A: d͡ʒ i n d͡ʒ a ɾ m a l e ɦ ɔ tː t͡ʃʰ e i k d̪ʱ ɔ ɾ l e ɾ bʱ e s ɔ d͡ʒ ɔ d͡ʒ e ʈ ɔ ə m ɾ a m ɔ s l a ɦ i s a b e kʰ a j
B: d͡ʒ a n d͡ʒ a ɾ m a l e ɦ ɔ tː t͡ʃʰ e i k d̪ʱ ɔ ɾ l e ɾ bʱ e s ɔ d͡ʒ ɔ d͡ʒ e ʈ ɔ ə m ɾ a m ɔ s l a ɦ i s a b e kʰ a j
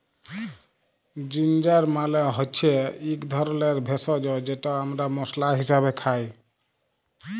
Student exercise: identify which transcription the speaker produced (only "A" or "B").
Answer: A